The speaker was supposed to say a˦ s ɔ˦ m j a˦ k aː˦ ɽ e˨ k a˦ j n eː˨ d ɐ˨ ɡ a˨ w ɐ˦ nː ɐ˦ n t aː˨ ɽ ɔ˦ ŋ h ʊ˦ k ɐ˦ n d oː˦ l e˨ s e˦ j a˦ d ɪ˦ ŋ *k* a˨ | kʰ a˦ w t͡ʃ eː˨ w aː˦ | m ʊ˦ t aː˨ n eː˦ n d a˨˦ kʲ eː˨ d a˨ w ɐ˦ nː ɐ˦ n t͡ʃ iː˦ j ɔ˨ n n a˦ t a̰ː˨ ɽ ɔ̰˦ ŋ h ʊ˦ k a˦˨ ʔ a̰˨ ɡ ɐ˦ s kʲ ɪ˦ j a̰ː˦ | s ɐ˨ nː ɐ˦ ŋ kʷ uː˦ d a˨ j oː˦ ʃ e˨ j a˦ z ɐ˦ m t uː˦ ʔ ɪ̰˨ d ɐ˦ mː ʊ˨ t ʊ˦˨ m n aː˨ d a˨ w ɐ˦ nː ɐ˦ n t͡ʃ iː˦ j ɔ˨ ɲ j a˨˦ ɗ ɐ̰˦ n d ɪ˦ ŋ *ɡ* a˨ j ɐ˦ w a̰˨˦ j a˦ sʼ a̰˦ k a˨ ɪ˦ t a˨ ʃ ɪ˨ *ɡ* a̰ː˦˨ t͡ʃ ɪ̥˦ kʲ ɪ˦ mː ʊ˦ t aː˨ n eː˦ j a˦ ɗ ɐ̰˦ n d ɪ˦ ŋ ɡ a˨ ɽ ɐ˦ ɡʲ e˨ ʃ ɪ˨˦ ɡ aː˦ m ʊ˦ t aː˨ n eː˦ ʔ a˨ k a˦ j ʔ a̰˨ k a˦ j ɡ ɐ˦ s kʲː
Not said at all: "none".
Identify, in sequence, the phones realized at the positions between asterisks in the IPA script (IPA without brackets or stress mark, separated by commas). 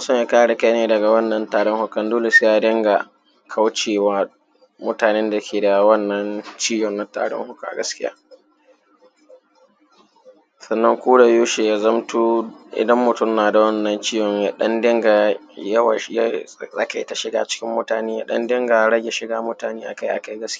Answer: ɡ, ɡ, ɡ